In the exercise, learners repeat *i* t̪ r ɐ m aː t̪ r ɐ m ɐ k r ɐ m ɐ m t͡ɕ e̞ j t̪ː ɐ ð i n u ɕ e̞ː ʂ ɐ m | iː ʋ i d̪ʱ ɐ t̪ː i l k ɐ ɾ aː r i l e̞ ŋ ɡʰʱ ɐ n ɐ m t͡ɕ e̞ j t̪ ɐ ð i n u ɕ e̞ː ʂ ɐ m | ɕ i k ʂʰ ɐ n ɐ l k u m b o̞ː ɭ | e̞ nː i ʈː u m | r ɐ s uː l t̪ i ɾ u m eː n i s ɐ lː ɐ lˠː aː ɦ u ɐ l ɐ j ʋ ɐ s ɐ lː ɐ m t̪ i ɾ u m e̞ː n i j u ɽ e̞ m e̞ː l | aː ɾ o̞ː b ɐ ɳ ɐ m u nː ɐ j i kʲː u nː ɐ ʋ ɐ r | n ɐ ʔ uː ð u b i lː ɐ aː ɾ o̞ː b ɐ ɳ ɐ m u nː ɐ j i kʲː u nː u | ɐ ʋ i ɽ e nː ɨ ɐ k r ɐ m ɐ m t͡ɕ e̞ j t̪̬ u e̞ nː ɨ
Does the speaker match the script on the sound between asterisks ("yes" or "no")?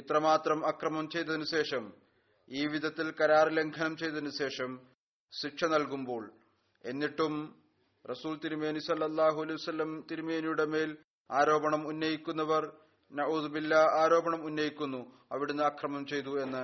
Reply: yes